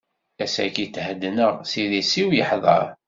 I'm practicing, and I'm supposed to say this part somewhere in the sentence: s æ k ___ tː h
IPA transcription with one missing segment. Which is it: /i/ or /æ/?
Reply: i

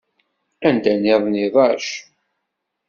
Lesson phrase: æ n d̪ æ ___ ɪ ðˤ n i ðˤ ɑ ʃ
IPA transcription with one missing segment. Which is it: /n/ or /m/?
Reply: n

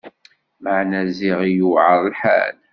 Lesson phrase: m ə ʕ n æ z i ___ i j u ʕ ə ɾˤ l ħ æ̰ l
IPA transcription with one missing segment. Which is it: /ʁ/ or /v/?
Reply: ʁ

